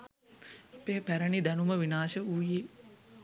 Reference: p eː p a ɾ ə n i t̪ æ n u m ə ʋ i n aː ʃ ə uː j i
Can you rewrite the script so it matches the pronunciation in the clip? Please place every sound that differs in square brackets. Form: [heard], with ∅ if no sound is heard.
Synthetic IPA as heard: p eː p [æ] ɾ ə n i [d̪] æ n u m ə ʋ i n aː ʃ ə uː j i